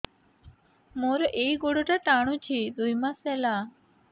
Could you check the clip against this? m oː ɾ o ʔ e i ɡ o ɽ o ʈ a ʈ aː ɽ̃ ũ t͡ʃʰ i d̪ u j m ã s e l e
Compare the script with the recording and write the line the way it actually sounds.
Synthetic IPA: m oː ɾ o ʔ e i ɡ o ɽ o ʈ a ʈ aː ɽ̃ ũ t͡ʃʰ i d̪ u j m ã s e l a